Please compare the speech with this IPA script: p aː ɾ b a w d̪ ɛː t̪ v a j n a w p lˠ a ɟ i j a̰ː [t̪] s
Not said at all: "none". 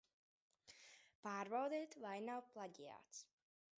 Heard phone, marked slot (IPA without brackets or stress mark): t̪